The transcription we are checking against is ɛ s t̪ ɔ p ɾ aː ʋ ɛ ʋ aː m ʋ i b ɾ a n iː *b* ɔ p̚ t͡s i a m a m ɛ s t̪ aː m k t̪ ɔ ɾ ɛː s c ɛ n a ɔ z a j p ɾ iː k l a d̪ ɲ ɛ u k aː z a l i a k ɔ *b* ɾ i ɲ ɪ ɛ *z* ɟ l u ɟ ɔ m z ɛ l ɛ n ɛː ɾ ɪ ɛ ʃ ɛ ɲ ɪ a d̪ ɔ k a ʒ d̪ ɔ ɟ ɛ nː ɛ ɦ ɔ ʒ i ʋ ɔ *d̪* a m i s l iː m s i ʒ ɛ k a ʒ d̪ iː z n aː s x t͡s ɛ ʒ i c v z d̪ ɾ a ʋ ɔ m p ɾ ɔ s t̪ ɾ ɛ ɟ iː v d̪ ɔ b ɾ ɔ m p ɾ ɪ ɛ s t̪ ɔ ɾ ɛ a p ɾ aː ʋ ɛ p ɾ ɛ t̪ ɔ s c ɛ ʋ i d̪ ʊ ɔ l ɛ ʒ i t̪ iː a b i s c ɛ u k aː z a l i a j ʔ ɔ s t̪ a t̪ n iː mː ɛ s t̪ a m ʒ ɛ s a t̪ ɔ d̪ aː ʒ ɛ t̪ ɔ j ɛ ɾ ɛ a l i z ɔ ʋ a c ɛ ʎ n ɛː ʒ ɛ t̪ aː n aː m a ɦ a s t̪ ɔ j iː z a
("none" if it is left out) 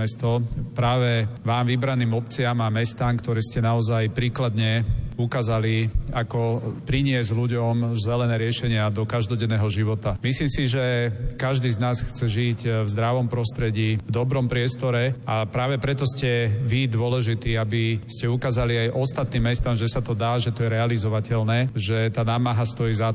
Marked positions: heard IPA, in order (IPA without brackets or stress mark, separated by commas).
m, p, z, t̪